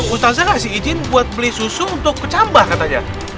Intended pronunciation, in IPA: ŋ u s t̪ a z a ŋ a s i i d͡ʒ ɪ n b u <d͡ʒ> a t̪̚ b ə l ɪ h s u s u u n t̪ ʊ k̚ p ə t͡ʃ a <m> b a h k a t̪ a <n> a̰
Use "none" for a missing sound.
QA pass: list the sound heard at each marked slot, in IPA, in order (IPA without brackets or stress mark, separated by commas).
none, m, ɲ